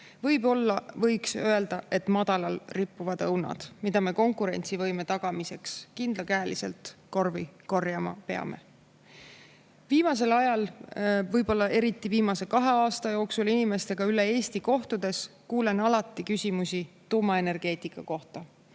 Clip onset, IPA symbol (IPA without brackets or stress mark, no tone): v